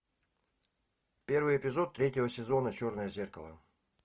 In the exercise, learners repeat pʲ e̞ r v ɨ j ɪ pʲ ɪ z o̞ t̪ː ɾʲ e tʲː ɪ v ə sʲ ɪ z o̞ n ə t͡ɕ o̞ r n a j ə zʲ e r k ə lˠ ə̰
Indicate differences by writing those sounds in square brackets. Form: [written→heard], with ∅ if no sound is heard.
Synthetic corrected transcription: pʲ e̞ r v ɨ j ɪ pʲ ɪ z o̞ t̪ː ɾʲ e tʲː ɪ v ə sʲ ɪ z o̞ n ə t͡ɕ o̞ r n [a→ə] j ə zʲ e r k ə lˠ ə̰

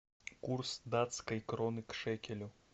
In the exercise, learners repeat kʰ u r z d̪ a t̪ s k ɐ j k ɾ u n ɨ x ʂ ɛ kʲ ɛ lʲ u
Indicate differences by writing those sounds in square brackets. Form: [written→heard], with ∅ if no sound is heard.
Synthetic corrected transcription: [kʰ→k] u r [z→s] d̪ a t̪ s k ɐ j k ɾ [u→ɔ] n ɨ [x→k] ʂ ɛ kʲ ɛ lʲ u

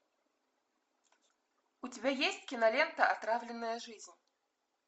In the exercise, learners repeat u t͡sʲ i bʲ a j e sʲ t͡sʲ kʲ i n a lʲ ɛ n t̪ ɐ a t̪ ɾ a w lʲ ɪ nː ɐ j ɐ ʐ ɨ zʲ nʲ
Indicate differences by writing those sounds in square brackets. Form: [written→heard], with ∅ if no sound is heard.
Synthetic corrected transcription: u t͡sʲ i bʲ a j e sʲ t͡sʲ kʲ i n a lʲ ɛ n t̪ ɐ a t̪ ɾ a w lʲ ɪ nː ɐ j ɐ ʐ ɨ zʲ nʲ

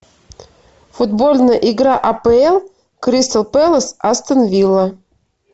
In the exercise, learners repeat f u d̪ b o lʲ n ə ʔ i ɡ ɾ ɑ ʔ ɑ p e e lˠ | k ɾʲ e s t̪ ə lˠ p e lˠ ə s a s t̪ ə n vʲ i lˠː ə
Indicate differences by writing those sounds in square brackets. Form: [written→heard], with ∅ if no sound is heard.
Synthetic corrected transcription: f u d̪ b o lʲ n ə ʔ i ɡ ɾ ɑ ʔ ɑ p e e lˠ | k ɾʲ [e→i] s t̪ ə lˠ p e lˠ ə s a s t̪ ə n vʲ i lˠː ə

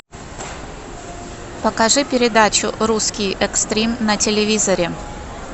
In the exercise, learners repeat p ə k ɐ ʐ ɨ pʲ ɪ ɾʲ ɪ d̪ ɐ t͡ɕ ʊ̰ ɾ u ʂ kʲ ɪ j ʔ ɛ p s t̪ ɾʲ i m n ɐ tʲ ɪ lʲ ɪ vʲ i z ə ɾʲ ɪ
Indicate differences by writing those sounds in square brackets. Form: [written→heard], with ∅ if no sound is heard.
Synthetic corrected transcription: p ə k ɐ ʐ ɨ pʲ ɪ ɾʲ ɪ d̪ [ɐ→a] t͡ɕ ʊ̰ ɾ u [ʂ→s] kʲ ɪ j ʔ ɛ [p→k] s t̪ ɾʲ i m n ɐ tʲ ɪ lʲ ɪ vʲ i z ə ɾʲ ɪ

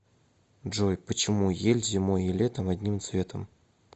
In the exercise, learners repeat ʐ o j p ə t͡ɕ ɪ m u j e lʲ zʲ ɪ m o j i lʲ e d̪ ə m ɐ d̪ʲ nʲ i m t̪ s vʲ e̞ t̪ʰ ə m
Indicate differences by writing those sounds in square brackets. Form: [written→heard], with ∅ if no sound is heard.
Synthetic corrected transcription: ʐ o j p ə t͡ɕ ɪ m u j e lʲ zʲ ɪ m o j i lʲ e [d̪→t̪] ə m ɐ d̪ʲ nʲ i m t̪ s vʲ e̞ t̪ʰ ə m

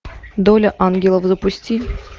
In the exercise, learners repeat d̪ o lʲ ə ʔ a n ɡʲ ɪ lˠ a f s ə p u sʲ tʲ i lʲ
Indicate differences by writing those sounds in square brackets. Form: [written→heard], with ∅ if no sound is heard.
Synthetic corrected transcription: d̪ o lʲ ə ʔ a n ɡʲ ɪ lˠ [a→ə] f [s→z] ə p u sʲ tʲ i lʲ

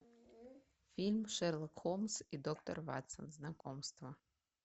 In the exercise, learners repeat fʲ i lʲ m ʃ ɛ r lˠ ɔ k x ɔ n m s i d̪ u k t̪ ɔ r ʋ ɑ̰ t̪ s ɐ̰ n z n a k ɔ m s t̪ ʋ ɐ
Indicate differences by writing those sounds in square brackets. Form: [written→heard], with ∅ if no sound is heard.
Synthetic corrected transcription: fʲ i lʲ m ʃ ɛ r lˠ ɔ k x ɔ [n→∅] m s i d̪ [u→ɔ] k t̪ ɔ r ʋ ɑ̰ t̪ s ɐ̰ n z n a k ɔ m s t̪ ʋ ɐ

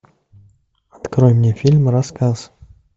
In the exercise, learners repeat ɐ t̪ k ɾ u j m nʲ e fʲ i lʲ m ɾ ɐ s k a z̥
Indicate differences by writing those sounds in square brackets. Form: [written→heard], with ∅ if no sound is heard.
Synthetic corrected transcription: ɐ t̪ k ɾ [u→o] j m nʲ e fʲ i lʲ m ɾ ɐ s k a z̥

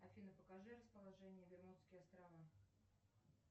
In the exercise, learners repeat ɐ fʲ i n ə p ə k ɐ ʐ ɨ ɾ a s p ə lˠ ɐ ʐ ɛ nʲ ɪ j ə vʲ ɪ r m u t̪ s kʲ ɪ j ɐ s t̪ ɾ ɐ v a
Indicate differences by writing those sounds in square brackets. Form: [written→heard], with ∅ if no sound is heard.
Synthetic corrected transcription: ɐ fʲ i n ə p ə k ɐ ʐ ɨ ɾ [a→ə] s p ə lˠ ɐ ʐ ɛ nʲ ɪ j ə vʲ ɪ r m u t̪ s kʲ ɪ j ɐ s t̪ ɾ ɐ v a

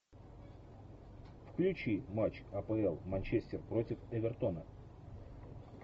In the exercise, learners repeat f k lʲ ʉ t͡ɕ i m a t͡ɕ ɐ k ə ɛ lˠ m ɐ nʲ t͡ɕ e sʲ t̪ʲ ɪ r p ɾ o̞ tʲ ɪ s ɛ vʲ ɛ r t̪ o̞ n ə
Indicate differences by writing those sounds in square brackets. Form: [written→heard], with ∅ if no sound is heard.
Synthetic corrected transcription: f k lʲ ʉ t͡ɕ i m a t͡ɕ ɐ [k→p] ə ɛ lˠ m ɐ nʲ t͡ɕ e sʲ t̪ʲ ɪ r p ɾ o̞ tʲ ɪ [s→f] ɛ vʲ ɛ r t̪ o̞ n ə

